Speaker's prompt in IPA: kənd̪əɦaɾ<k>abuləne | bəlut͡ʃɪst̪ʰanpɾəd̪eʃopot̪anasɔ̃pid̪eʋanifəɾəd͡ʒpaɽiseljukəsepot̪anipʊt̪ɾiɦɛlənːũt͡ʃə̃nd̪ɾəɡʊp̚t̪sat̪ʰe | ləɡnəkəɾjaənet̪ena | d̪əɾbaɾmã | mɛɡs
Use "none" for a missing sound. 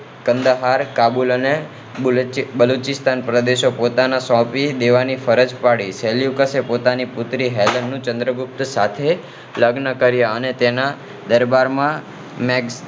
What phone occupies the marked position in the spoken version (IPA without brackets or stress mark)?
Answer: k